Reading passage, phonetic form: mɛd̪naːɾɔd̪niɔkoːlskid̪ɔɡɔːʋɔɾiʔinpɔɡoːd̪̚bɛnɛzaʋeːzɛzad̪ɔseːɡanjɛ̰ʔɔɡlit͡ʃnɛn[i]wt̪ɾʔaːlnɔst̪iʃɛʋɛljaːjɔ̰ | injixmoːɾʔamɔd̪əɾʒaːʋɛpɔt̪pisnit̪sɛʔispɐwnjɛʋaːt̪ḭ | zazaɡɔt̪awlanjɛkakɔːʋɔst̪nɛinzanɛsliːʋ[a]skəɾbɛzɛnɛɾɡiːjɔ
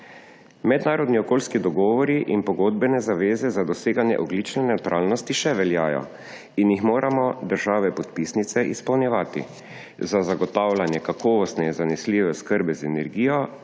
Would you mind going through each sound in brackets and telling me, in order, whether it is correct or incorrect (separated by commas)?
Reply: incorrect, incorrect